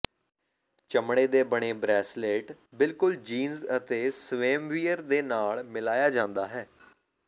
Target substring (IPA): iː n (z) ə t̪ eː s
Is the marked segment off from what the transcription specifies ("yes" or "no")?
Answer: no